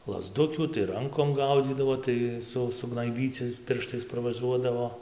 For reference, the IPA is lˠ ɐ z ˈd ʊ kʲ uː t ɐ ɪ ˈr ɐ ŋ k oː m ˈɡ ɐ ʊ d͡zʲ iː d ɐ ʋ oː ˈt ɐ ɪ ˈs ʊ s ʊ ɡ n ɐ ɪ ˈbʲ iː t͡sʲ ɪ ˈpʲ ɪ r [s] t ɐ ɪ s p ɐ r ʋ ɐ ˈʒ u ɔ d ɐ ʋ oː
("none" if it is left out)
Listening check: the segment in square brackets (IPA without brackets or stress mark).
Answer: ʃ